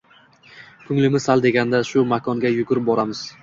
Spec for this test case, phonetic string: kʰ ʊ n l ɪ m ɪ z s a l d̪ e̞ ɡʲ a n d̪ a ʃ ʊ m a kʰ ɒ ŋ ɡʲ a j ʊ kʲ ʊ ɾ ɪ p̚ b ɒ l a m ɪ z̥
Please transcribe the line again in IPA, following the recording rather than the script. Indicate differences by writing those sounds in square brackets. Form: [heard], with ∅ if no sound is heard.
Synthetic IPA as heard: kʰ ʊ [ŋ] l ɪ m ɪ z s a l d̪ e̞ ɡʲ a n d̪ a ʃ ʊ m a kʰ ɒ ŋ ɡʲ a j ʊ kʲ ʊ ɾ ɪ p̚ b ɒ [ɾ] a m ɪ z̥